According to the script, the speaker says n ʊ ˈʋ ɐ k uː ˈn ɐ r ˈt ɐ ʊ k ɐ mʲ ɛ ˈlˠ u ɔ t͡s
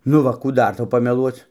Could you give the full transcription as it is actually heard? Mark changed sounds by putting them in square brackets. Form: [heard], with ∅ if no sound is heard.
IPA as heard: n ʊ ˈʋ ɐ k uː [ˈd] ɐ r ˈt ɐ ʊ [p] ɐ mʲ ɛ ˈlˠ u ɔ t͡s